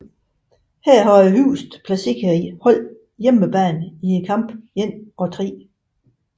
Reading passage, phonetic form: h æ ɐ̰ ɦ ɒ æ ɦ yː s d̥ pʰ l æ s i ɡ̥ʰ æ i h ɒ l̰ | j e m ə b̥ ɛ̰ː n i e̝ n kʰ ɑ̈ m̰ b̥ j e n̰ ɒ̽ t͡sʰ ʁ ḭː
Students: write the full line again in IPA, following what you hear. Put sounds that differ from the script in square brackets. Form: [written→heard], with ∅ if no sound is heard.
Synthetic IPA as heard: h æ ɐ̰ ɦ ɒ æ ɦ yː s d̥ pʰ l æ s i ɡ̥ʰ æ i h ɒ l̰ | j e m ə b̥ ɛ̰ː n i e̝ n kʰ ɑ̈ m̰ b̥ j e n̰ ɒ̽ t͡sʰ ʁ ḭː